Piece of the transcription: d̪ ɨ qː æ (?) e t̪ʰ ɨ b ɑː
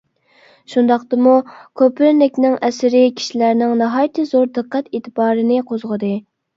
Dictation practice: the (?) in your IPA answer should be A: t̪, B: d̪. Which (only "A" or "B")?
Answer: A